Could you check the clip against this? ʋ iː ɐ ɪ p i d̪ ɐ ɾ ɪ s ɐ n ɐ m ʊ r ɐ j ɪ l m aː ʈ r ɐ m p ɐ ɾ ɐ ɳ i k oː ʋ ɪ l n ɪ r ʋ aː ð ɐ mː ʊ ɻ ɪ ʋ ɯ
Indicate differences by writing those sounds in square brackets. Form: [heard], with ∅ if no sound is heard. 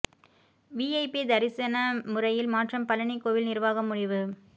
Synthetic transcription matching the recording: ʋ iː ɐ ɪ p i d̪ ɐ ɾ ɪ s ɐ n ɐ m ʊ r ɐ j ɪ l m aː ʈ r ɐ m p ɐ [l] ɐ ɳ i k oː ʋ ɪ l n ɪ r ʋ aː [ɣ] ɐ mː ʊ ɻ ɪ ʋ ɯ